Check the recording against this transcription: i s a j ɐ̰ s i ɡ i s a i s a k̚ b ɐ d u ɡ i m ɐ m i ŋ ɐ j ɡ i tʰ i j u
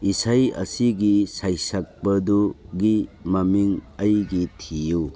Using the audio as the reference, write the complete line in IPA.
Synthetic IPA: i s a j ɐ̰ s i ɡ i s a j s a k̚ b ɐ d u ɡ i m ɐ m i ŋ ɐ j ɡ i tʰ i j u